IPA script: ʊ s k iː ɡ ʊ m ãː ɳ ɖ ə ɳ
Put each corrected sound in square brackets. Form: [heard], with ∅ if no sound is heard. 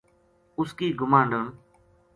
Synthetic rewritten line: ʊ s k iː ɡ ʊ m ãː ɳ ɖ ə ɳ

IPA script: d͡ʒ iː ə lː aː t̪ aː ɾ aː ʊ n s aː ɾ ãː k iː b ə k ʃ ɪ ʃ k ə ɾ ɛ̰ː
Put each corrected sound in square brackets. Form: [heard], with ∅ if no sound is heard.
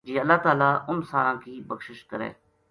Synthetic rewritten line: d͡ʒ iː ə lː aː t̪ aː [l] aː ʊ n s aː ɾ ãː k iː b ə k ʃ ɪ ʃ k ə ɾ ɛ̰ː

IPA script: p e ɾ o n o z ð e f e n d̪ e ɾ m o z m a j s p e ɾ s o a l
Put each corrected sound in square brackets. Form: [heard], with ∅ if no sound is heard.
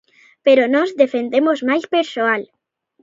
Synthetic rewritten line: p e ɾ o n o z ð e f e n d̪ e [∅] m o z m a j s p e ɾ s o a l

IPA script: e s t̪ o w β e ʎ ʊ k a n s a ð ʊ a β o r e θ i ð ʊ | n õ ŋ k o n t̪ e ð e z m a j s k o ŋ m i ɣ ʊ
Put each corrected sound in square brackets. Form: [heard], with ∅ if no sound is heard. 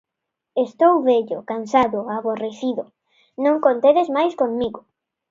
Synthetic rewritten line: e s t̪ o w β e ʎ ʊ k a n s a ð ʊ a β o r e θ i ð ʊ | n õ ŋ k o n t̪ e ð e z m a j s k o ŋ m i ɣ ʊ

